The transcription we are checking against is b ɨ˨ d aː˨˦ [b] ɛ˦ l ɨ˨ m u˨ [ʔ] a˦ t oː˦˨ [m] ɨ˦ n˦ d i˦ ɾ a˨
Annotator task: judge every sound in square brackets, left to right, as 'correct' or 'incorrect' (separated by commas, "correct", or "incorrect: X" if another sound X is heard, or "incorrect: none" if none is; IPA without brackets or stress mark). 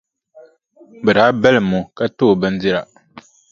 correct, incorrect: k, incorrect: b